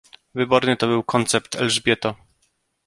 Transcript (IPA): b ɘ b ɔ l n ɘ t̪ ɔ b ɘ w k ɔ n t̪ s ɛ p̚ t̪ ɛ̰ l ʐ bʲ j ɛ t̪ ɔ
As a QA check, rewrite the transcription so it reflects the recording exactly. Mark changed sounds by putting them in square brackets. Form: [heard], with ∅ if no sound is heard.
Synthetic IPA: [v] ɘ b ɔ [ɾ] n ɘ t̪ ɔ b ɘ w k ɔ n t̪ s ɛ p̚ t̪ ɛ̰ l ʐ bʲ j ɛ t̪ ɔ